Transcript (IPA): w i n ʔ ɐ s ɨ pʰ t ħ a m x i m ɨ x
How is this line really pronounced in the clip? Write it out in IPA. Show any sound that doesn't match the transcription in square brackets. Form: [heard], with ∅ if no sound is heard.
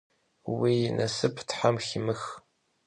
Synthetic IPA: w i n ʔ ɐ s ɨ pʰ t ħ a m x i m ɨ x